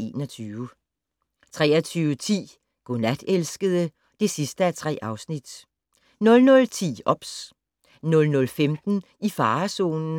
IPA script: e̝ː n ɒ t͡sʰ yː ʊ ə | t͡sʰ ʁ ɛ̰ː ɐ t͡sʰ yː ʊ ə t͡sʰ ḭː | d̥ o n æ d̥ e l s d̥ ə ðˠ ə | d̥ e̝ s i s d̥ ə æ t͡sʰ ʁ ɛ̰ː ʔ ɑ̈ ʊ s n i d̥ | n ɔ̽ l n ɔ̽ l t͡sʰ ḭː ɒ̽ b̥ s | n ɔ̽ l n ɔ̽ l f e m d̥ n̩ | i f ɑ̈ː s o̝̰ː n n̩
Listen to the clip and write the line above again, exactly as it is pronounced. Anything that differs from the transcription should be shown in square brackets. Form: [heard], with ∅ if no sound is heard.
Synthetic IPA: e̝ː n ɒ t͡sʰ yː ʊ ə | t͡sʰ ʁ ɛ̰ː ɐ t͡sʰ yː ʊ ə t͡sʰ ḭː | [ɡ̥] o n æ d̥ e l s [ɡ̥] ə ðˠ ə | d̥ e̝ s i s d̥ ə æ t͡sʰ ʁ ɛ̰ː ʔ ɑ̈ ʊ s n i d̥ | n ɔ̽ l n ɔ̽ l t͡sʰ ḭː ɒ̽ b̥ s | n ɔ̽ l n ɔ̽ l f e m d̥ n̩ | i f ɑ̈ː s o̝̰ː n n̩